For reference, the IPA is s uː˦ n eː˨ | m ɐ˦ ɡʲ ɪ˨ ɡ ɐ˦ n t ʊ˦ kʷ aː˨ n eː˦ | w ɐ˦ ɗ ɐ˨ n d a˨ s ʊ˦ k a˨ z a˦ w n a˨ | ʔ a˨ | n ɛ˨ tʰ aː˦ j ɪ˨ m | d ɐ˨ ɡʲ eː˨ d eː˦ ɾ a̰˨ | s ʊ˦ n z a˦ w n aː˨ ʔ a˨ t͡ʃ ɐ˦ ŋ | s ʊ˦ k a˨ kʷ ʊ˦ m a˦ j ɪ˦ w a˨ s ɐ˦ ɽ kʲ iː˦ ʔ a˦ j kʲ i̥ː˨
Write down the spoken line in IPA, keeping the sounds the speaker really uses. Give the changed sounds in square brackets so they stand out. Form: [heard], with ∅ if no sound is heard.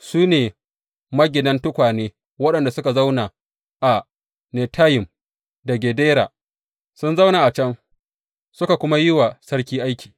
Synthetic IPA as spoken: s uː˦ n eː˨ | m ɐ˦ ɡʲ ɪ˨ [d] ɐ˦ n t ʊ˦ kʷ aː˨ n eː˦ | w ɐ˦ ɗ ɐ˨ n d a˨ s ʊ˦ k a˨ z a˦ w n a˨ | ʔ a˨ | n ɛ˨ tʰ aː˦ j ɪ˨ m | d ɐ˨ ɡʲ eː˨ d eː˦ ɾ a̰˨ | s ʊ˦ n z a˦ w n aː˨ ʔ a˨ t͡ʃ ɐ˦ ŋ | s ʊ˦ k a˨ kʷ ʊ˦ m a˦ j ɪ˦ w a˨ s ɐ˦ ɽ kʲ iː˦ ʔ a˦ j kʲ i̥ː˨

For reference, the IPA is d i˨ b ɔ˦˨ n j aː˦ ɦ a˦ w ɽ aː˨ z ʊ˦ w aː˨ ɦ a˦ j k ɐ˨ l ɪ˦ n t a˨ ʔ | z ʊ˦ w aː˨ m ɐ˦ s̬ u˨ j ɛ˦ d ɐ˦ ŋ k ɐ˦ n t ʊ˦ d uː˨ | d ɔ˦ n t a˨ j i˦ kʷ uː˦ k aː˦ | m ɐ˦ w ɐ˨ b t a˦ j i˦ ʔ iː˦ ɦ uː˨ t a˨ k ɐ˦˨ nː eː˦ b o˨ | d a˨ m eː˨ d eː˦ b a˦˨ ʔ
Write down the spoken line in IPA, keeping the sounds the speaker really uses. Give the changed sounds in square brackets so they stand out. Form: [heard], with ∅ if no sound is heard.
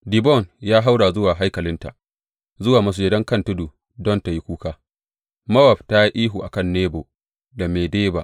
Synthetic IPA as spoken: d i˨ b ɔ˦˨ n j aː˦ ɦ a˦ w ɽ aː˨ z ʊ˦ w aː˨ ɦ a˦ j k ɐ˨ l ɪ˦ n t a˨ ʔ | z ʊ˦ w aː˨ m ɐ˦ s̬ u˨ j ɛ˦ d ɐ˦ ŋ k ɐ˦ n t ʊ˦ d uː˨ | d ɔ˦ n t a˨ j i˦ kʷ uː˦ k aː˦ | m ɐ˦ w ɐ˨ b t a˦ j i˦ ʔ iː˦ ɦ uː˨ [ʔ] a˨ k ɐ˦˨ nː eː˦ b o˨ | d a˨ m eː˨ d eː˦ b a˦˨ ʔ

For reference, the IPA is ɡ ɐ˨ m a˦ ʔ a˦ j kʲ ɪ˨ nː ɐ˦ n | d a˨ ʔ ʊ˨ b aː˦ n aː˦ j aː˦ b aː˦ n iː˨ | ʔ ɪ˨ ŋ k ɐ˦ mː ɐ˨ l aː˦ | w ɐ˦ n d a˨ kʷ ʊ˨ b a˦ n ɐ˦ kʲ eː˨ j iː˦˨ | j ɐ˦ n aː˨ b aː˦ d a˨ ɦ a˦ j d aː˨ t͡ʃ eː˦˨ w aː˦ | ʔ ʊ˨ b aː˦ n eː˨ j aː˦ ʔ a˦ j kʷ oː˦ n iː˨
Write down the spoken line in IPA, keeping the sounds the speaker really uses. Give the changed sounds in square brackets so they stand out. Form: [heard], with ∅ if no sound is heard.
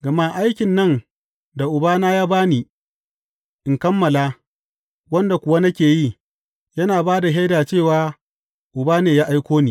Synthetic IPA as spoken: ɡ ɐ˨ m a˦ ʔ a˦ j kʲ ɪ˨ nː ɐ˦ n | d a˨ ʔ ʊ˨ b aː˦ n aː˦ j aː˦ b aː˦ n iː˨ | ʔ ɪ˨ ŋ k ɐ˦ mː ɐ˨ l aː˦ | w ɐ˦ n d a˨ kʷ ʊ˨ [w] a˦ n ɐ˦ kʲ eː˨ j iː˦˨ | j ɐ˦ n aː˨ b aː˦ d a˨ ɦ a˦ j d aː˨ t͡ʃ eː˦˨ w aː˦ | ʔ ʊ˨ b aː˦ n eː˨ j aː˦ ʔ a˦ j kʷ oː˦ n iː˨

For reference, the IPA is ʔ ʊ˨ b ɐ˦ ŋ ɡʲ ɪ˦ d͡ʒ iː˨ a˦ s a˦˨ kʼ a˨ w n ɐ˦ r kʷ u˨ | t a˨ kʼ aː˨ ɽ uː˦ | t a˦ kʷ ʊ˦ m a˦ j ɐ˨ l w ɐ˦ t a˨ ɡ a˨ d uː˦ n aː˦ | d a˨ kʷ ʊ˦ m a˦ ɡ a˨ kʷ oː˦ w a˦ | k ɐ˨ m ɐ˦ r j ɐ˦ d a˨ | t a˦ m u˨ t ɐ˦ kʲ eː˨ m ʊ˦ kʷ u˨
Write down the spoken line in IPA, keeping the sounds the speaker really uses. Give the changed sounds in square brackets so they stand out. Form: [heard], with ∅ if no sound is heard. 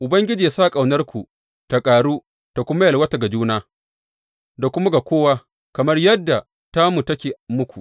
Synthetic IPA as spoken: ʔ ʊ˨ b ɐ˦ ŋ ɡʲ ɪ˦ d͡ʒ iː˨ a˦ s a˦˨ kʼ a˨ w n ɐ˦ r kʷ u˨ | t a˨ kʼ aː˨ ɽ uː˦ | t [a˨] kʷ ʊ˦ m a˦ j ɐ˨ l w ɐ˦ t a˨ ɡ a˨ [d͡ʒ] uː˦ n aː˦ | d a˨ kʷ ʊ˦ m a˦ ɡ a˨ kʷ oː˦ w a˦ | k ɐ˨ m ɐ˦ r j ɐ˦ [dː] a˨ | t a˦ m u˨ t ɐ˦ kʲ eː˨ m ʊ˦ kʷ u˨

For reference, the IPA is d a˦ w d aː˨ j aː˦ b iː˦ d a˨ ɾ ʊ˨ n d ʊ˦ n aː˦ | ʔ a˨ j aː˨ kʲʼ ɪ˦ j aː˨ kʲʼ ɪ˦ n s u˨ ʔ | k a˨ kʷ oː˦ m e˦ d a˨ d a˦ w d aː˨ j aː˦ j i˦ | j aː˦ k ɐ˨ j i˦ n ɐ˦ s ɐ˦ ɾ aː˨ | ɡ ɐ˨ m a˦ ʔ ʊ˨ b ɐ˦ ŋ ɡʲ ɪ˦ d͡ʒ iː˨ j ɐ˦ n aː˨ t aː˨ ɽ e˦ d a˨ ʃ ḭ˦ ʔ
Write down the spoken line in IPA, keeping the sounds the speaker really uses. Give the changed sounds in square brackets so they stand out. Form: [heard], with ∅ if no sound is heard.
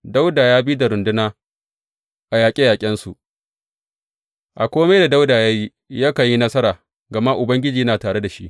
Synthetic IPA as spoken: d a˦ w d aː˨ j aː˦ b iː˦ d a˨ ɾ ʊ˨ n d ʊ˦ n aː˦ | ʔ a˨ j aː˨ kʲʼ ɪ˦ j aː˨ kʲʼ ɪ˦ n s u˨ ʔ | [ʔ] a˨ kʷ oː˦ m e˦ d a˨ d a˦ w d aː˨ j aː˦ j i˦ | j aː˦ k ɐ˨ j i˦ n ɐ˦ s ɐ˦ ɾ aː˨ | ɡ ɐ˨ m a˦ ʔ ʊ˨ b ɐ˦ ŋ ɡʲ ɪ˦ d͡ʒ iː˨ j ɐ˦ n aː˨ t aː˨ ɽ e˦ d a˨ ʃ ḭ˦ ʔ

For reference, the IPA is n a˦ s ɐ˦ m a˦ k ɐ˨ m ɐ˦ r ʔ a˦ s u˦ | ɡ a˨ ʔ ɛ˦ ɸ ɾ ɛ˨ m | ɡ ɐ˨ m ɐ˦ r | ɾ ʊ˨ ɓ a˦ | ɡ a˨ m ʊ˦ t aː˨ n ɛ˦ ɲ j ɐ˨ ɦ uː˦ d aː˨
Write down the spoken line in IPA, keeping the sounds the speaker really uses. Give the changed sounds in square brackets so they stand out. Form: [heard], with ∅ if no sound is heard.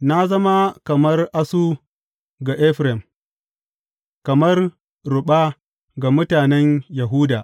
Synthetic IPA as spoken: n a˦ [z] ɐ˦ m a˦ k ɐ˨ m ɐ˦ r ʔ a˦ s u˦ | ɡ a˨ ʔ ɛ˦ ɸ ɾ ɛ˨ m | [k] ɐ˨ m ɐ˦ r | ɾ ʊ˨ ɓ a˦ | ɡ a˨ m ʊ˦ t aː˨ n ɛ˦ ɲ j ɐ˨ ɦ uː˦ d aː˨

